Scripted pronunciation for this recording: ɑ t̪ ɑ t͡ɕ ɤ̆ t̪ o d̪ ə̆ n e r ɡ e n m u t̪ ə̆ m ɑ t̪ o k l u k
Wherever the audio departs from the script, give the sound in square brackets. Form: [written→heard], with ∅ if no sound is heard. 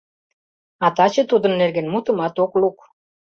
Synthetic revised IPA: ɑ t̪ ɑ t͡ɕ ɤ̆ t̪ [o→u] d̪ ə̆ [n→nː] e r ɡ e n m u t̪ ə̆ m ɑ t̪ o k l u k